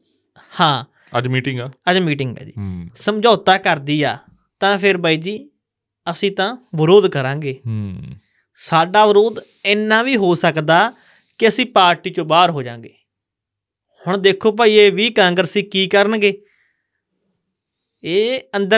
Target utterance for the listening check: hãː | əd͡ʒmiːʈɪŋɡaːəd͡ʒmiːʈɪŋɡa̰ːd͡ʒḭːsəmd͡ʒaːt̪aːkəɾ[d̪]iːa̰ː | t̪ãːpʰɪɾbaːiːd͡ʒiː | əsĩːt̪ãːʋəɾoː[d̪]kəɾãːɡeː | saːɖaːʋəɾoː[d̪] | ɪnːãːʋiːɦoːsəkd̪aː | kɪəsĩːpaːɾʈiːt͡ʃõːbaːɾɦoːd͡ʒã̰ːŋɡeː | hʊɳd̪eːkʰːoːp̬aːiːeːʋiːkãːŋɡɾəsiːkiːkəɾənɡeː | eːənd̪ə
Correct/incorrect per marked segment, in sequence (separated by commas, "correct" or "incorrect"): correct, correct, correct